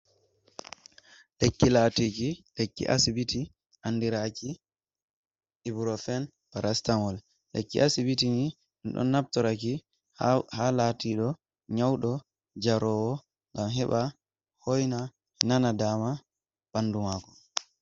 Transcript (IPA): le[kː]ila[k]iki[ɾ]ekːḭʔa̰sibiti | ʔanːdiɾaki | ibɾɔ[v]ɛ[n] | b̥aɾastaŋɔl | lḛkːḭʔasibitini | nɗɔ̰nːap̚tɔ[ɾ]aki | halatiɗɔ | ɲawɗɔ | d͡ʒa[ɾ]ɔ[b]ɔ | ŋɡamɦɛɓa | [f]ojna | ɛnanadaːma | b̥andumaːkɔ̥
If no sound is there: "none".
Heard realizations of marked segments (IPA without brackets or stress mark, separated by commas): kː, t, l, f, n, ɾ, ɾ, w, h